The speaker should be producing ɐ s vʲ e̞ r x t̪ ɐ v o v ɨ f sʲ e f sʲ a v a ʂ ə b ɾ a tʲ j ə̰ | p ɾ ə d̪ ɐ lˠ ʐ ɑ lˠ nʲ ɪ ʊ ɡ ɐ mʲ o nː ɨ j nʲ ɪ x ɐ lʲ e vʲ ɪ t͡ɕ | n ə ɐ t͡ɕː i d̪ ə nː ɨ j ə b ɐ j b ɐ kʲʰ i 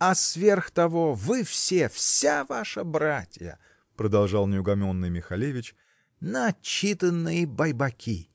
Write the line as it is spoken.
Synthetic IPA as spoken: ɐ s vʲ e̞ r x t̪ ɐ v o v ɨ f sʲ e f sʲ a v a ʂ ə b ɾ a tʲ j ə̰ | p ɾ ə d̪ ɐ lˠ ʐ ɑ lˠ nʲ ɪ ʊ ɡ ɐ mʲ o nː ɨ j mʲ ɪ x ɐ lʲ e vʲ ɪ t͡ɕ | n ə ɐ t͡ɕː i t̪ ə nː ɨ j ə b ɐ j b ɐ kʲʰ i